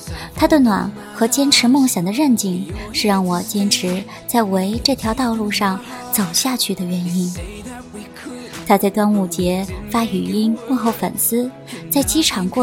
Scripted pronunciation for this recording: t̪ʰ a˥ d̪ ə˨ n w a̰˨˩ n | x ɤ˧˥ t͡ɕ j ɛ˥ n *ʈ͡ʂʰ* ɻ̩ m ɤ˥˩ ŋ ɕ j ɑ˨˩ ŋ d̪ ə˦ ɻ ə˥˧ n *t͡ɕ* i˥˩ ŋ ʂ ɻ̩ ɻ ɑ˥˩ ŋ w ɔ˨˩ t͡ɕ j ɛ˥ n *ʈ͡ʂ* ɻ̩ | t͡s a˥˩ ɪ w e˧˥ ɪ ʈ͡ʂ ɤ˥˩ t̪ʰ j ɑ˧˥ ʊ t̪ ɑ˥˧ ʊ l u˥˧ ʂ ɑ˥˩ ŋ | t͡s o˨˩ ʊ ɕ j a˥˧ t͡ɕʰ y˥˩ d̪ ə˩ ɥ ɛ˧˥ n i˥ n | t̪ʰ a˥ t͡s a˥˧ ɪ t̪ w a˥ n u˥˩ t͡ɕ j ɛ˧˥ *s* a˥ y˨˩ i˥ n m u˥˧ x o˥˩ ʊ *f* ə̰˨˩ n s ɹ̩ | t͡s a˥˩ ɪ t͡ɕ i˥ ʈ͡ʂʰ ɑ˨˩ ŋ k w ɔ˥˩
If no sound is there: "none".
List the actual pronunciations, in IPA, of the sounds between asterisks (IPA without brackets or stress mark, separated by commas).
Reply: ʈ͡ʂʰ, t͡ɕ, ʈ͡ʂʰ, f, f